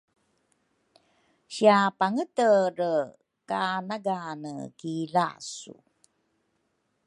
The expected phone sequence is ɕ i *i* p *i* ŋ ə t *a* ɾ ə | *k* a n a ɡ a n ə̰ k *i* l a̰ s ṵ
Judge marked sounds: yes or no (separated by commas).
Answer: no, no, no, yes, yes